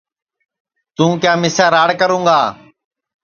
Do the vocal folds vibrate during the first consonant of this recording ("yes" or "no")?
no